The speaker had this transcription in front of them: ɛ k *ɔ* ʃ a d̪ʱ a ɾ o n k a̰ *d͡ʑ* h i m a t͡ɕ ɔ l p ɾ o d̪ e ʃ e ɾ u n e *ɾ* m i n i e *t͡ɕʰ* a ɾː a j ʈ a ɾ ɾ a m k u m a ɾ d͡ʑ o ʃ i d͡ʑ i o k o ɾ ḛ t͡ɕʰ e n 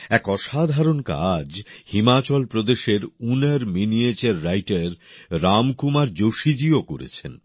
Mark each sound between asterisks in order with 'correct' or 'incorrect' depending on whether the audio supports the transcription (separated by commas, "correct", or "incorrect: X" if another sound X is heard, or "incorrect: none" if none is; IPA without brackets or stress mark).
correct, correct, correct, incorrect: t͡ɕ